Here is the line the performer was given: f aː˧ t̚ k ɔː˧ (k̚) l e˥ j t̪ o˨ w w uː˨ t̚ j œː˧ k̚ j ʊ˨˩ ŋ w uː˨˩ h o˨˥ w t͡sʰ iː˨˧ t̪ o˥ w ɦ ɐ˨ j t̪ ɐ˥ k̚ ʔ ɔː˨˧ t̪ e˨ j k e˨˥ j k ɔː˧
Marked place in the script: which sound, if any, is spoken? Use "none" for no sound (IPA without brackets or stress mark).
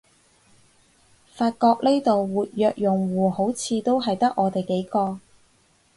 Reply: k̚